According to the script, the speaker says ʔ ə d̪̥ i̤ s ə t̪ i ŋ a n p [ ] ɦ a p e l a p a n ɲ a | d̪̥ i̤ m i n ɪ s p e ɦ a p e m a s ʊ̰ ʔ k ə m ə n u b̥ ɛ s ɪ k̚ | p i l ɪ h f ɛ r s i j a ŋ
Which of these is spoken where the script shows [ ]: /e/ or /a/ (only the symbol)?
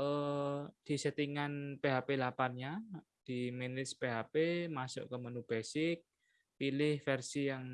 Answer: e